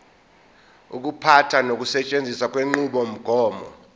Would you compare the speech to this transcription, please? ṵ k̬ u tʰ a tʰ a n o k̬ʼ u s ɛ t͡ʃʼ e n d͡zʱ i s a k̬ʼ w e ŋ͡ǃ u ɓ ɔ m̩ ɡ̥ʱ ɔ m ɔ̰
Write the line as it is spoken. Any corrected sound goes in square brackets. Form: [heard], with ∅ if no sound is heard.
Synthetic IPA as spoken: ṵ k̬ u [pʰ] a tʰ a n o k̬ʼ u s ɛ t͡ʃʼ e n d͡zʱ i s a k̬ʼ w e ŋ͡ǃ u ɓ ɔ m̩ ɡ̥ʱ [ɔː] m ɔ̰